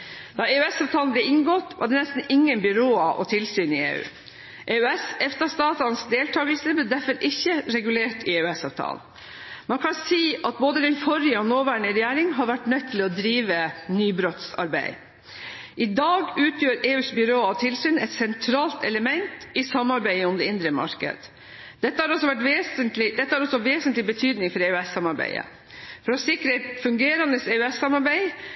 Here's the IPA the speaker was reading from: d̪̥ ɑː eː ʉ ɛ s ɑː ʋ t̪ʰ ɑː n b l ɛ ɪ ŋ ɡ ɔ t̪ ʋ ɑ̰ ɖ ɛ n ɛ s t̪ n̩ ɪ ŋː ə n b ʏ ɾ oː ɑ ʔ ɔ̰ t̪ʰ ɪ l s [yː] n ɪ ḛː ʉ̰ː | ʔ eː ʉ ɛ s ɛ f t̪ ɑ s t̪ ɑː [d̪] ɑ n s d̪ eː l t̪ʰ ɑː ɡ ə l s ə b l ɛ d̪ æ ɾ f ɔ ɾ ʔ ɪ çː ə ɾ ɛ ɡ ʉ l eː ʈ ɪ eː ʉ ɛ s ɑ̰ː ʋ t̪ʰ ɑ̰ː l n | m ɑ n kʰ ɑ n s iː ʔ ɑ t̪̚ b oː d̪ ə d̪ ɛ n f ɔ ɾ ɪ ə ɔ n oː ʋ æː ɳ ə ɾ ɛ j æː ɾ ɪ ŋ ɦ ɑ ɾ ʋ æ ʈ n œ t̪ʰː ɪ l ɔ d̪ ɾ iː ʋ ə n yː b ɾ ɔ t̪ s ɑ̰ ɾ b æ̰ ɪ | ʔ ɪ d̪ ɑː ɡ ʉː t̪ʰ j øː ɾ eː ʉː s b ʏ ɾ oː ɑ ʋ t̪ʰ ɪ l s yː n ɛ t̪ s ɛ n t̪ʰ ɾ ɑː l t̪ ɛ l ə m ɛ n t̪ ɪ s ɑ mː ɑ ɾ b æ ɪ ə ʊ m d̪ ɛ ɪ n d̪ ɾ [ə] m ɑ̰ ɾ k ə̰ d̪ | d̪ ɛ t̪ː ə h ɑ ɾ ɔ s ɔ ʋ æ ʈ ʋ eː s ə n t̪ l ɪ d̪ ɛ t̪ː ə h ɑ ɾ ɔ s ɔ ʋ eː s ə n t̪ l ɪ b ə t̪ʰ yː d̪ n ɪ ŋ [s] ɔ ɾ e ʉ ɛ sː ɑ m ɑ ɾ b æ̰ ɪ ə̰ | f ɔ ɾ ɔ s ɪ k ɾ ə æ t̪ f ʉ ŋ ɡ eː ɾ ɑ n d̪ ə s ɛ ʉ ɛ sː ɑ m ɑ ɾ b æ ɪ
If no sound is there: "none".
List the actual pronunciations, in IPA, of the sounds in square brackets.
yː, t̪, ə, f

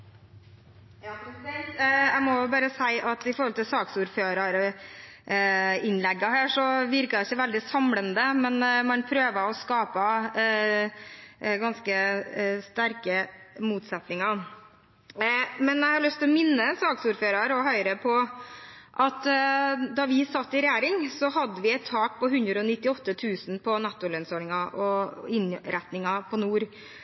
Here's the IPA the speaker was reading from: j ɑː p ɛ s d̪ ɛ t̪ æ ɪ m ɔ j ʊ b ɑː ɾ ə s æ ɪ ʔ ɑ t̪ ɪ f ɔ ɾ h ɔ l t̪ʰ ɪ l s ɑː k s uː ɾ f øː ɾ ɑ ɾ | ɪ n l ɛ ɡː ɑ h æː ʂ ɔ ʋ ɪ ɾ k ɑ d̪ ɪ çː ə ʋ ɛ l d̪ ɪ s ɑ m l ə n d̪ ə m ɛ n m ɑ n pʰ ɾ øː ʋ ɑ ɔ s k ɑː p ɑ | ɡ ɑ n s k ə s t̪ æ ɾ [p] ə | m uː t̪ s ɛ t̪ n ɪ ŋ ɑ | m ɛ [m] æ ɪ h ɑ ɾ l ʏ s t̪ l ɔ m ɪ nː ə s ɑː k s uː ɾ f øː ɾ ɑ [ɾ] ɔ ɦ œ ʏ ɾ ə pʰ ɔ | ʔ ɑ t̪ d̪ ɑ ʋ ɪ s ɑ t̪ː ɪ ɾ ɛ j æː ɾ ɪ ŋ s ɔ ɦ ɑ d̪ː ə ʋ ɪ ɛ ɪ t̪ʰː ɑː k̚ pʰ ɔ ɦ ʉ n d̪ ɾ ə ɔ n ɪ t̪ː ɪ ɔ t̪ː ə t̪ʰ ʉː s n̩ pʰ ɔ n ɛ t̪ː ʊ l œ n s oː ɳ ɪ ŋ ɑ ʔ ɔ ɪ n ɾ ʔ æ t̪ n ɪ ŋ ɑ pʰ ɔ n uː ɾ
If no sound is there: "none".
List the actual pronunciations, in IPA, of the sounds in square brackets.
k, n, ɾ

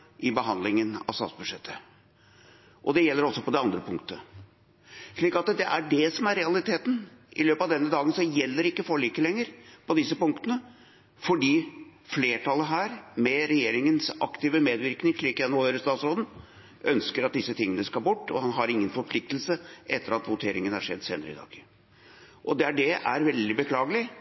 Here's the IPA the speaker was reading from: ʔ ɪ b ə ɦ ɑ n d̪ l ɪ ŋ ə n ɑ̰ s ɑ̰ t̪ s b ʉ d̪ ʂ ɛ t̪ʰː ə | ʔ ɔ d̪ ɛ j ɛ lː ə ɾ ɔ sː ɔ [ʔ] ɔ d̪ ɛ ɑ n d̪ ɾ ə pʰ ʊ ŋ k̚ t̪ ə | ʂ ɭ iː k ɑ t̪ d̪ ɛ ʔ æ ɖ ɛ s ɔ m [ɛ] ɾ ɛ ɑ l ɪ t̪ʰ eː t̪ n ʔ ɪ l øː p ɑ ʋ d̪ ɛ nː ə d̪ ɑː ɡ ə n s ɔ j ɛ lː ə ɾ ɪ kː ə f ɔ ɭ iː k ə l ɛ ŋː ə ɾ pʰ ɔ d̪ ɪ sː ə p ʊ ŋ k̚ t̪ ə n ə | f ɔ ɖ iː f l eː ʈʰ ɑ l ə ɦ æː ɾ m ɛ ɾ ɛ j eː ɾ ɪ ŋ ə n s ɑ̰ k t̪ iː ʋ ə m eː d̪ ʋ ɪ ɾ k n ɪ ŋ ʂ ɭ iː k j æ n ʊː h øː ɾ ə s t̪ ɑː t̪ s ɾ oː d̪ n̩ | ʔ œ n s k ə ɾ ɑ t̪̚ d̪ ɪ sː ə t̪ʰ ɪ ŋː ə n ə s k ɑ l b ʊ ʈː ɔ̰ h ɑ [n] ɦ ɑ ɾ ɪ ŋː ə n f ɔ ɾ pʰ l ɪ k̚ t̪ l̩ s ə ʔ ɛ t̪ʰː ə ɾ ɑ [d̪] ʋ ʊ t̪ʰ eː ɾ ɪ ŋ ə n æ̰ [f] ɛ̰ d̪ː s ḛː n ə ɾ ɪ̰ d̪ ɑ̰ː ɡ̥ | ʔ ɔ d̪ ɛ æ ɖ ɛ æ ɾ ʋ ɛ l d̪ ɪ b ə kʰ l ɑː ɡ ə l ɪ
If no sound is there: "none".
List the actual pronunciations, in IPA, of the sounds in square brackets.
p, æ, n, t̪, ʂ

